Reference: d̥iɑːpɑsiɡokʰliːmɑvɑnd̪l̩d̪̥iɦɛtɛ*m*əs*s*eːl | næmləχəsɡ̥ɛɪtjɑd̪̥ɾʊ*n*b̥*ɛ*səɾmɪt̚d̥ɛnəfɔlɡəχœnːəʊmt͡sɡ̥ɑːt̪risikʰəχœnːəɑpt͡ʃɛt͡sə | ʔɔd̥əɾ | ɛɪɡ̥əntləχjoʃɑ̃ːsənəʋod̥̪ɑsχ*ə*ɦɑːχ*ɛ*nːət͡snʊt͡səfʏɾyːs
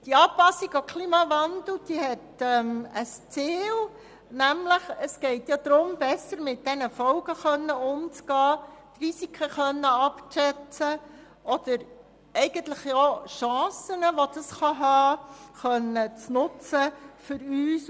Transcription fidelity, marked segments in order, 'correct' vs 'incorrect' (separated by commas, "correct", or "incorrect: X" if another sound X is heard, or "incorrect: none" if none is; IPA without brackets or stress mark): correct, incorrect: t͡s, incorrect: m, correct, incorrect: ɑ, incorrect: œ